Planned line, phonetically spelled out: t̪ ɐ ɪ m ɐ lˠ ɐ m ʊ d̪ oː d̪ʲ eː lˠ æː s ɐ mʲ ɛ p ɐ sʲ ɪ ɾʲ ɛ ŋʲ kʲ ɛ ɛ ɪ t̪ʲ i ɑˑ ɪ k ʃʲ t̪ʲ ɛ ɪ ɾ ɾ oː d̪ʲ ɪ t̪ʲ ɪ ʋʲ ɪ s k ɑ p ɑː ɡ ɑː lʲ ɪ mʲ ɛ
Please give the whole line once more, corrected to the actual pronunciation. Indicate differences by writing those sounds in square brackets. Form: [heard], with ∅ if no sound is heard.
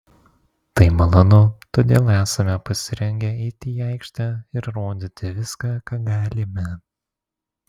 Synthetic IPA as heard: t̪ ɐ ɪ m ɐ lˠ ɐ [n] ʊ [t̪] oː d̪ʲ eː lˠ æː s ɐ mʲ ɛ p ɐ sʲ ɪ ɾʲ ɛ ŋʲ [ɡʲ] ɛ ɛ ɪ t̪ʲ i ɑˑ ɪ k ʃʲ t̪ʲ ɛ ɪ ɾ ɾ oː d̪ʲ ɪ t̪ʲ ɪ ʋʲ ɪ s k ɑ [k] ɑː ɡ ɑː lʲ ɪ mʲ ɛ